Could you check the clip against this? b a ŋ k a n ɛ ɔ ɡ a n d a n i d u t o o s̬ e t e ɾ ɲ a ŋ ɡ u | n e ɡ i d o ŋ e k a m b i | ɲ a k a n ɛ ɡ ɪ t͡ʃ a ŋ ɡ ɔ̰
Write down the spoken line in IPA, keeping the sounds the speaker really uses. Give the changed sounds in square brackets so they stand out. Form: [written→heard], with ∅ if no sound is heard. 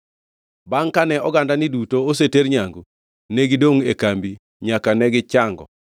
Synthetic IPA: b a ŋ k a n ɛ ɔ ɡ a n d a n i d u t o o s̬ e t e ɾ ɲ a ŋ ɡ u | n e ɡ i d o ŋ e k a m b i | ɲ a k a n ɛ ɡ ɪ t͡ʃ a ŋ ɡ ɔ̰